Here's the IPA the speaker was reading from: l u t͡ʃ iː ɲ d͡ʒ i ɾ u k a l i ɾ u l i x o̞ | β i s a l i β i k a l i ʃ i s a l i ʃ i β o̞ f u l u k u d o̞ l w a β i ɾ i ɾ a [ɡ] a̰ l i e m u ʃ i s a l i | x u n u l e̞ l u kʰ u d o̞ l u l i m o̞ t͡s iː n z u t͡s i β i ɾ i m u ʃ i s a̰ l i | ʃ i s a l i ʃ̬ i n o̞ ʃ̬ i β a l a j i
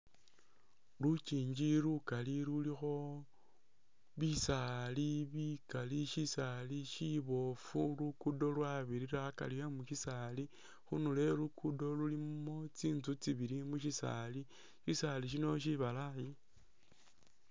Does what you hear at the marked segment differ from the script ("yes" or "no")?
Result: yes